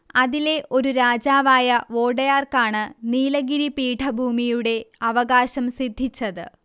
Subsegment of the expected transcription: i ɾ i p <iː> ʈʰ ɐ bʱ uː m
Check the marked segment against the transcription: correct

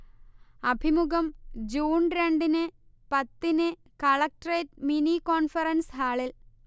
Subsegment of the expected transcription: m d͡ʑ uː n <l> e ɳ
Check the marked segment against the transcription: incorrect: ɾ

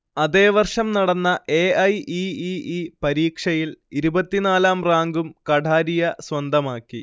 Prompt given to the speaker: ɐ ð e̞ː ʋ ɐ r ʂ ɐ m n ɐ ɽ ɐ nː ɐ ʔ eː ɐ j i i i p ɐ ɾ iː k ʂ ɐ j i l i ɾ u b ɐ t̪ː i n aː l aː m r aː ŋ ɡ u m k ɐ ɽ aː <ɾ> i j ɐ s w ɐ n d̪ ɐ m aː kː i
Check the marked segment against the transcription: correct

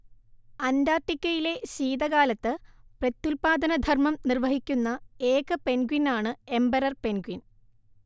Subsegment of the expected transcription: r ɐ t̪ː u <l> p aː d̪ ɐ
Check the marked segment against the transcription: correct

